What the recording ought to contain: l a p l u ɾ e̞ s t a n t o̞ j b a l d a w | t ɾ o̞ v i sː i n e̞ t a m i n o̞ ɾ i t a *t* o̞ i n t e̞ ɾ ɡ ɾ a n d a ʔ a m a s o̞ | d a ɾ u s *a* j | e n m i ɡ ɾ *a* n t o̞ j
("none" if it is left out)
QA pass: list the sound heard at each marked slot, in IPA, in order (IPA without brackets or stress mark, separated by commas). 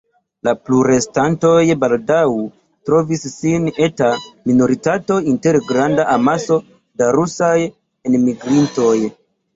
t, a, i